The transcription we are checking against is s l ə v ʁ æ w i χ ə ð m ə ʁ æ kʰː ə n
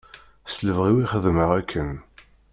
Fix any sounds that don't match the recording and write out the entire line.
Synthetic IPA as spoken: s l ə v ʁ i w i χ ə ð m ə ʁ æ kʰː ə n